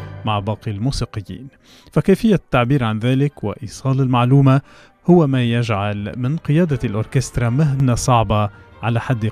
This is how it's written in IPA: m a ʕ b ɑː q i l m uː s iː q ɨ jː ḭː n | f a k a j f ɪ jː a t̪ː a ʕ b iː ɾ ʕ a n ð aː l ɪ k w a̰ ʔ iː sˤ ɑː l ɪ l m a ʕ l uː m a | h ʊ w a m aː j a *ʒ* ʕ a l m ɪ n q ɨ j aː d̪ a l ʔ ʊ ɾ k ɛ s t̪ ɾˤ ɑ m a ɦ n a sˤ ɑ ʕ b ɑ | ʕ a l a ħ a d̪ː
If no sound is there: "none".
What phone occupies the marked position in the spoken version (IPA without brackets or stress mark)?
ʒ